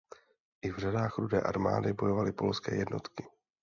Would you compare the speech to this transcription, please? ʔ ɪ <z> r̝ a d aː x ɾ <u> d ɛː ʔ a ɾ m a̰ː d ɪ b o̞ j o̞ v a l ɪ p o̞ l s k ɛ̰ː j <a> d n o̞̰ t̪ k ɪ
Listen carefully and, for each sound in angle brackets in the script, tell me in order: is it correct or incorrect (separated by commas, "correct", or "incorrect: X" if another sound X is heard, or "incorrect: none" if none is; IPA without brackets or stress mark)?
incorrect: v, correct, incorrect: ɛ